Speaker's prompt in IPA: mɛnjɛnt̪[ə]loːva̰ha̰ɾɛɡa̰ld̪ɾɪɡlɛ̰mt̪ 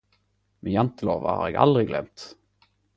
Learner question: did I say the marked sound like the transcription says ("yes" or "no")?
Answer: yes